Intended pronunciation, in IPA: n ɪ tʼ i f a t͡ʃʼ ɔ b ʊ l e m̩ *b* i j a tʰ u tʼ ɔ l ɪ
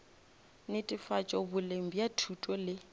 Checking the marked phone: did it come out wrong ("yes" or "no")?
no